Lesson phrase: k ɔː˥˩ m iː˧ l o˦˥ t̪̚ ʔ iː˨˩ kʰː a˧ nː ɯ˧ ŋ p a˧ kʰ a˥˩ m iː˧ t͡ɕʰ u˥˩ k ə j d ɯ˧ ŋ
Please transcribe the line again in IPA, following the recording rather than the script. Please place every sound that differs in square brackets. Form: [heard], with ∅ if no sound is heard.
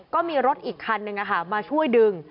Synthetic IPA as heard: k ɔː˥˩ m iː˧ [ɾ] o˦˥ t̪̚ ʔ iː˨˩ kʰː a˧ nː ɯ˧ ŋ [ʔ] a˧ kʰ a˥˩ m [aː˧] t͡ɕʰ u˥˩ [∅] ə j d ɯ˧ ŋ